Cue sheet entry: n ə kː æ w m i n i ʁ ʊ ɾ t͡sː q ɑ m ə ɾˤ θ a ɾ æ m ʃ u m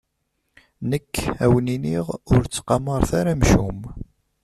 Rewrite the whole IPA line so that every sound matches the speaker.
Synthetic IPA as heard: n ə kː æ w n i n i ʁ ʊ ɾ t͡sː q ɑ m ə ɾˤ θ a ɾ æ m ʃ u m